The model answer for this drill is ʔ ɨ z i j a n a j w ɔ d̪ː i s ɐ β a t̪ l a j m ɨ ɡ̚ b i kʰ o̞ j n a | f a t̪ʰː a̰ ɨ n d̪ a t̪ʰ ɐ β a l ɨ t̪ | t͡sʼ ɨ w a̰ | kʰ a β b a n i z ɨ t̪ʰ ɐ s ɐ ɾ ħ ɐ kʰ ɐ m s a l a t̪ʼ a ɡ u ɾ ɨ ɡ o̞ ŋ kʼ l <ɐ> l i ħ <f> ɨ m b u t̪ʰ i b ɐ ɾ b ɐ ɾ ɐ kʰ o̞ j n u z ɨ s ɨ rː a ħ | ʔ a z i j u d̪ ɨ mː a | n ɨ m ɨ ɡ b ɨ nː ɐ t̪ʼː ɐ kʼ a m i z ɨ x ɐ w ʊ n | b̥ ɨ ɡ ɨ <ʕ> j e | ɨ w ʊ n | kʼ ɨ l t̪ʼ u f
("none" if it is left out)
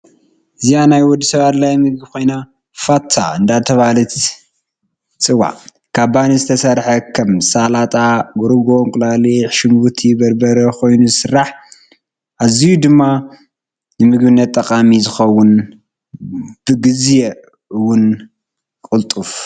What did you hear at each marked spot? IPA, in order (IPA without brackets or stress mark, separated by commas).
a, ʃ, z